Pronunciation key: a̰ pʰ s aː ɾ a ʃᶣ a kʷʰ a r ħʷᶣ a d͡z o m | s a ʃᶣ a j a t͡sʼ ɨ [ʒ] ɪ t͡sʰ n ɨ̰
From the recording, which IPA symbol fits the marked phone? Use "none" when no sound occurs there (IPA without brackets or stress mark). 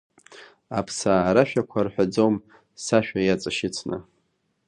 ʃ